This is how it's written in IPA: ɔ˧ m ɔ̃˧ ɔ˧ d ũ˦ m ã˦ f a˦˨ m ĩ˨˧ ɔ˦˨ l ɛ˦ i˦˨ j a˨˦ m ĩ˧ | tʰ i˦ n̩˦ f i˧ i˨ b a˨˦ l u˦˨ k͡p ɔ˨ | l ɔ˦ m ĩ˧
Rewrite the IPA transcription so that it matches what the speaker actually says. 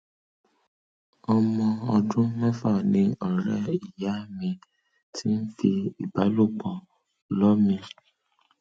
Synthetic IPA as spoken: ɔ˧ m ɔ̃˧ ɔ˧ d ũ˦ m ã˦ f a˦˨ n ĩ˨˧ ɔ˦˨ ɾ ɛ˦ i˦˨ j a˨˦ m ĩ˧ | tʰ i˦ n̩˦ f i˧ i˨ b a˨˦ l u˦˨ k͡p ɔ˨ | l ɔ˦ m ĩ˧